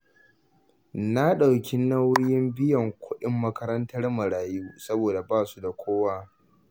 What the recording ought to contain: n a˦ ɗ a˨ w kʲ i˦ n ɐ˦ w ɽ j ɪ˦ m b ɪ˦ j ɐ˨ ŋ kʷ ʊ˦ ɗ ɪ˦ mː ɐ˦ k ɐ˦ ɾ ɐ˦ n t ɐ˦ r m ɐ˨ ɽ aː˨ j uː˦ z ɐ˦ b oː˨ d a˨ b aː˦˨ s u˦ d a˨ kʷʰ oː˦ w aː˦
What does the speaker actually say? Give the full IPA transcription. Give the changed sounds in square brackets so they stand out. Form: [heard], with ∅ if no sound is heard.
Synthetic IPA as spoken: n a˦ ɗ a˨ w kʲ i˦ n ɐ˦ w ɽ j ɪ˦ m b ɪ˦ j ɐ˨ ŋ kʷ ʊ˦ ɗ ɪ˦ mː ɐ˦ k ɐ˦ ɾ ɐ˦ n t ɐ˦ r m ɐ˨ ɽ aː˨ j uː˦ [s] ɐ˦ b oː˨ d a˨ b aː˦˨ s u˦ d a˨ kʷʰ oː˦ w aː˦